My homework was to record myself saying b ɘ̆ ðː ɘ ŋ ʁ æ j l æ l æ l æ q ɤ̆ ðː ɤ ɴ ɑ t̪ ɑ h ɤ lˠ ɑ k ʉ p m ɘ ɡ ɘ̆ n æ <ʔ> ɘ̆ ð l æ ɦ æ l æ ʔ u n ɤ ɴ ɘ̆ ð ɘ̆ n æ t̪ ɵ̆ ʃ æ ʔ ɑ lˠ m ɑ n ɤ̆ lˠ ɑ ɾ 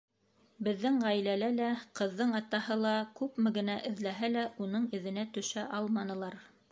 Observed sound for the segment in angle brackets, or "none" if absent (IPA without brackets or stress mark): ʔ